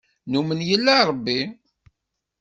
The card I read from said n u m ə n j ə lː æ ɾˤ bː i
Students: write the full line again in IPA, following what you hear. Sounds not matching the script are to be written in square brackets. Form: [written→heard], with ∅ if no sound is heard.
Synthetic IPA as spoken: n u m ə n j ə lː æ ɾˤ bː i